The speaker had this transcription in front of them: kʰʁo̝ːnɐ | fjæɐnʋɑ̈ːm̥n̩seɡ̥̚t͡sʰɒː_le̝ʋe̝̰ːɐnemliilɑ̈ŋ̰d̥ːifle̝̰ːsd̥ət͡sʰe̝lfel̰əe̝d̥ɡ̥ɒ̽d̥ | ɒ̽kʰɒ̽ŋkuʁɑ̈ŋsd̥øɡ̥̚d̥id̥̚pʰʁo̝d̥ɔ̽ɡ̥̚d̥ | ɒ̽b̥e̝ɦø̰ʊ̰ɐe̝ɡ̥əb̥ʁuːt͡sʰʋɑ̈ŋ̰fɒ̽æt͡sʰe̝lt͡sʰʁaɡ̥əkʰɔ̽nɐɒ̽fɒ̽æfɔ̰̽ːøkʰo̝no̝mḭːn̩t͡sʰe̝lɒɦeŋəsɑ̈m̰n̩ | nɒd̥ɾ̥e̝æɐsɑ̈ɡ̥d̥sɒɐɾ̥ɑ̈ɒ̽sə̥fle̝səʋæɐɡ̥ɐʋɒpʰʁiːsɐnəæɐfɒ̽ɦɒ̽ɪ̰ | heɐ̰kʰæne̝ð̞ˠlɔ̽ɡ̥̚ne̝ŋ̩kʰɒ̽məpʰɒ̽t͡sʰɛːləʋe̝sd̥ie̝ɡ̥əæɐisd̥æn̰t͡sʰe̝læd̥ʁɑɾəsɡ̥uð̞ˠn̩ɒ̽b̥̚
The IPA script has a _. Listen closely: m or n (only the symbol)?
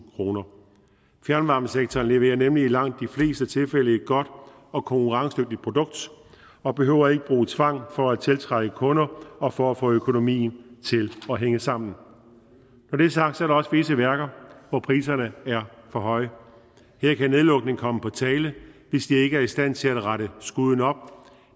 n